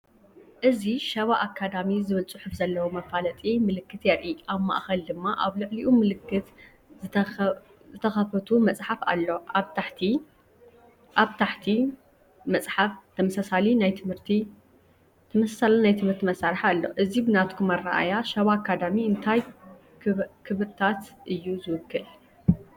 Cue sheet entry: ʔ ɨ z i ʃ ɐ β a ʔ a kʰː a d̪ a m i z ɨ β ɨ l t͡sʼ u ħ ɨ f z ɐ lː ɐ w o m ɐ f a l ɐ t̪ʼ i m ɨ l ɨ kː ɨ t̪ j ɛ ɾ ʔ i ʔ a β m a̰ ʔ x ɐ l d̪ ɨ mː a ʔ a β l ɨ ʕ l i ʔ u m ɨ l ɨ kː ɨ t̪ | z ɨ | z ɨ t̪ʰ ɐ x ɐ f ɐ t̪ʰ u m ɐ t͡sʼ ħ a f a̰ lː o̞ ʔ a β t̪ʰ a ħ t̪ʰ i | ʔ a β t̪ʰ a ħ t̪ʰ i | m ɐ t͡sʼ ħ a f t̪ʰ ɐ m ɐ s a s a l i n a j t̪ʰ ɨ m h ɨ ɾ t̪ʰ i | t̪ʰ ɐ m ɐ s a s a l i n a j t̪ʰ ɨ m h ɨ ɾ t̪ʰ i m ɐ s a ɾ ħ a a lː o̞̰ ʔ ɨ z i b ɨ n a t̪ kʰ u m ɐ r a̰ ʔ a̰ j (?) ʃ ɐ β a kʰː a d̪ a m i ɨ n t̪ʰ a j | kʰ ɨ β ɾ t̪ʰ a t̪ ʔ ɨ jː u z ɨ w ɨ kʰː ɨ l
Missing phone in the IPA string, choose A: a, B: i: A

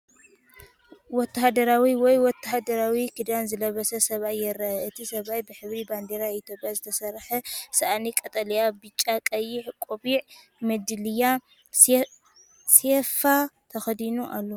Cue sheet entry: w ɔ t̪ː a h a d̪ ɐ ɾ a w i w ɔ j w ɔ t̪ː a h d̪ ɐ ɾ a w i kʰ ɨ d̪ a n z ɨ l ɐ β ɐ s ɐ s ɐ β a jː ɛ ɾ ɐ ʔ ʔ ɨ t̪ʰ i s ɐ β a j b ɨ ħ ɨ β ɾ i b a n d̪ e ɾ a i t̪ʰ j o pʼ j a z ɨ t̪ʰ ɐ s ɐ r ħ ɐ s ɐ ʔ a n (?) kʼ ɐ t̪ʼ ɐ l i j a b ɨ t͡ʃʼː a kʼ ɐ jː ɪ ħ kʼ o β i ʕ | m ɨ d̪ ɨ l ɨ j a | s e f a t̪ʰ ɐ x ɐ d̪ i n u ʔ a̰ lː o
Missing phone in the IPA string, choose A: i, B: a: A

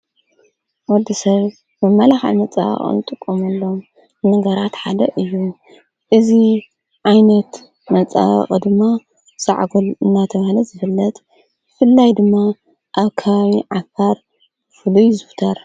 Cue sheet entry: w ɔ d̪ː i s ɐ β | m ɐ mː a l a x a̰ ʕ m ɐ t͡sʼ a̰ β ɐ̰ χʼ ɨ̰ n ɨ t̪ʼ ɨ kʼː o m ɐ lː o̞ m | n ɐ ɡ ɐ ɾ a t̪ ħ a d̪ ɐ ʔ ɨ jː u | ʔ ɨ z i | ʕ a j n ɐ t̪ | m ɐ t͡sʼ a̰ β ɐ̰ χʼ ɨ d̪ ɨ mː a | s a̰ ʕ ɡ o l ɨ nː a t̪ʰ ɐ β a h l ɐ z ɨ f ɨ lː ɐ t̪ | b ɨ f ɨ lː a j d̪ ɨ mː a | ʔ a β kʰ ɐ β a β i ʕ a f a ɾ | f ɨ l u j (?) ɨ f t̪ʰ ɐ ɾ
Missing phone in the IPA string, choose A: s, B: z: B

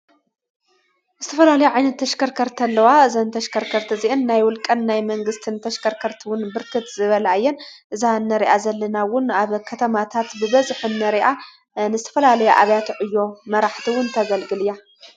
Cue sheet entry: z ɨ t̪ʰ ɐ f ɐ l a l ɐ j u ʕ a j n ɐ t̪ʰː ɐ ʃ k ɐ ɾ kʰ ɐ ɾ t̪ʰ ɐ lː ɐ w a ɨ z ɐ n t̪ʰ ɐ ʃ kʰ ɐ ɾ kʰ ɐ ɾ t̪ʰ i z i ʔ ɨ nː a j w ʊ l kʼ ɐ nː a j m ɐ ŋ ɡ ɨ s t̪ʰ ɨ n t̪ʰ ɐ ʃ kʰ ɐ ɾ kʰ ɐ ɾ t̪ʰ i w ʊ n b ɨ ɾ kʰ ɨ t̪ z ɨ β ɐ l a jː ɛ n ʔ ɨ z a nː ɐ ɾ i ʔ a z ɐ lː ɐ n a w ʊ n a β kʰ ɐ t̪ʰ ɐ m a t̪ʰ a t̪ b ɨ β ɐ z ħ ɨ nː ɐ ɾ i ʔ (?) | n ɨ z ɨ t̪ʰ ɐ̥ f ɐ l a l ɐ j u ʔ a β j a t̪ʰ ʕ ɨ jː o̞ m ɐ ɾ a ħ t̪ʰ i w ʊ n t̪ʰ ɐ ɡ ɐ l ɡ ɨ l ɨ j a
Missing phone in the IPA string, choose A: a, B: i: A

